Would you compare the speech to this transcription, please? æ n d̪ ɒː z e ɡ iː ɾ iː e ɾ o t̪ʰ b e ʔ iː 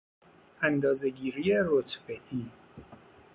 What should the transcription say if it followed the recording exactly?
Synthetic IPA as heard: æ n d̪ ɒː z e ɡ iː ɾ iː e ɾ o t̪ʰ b e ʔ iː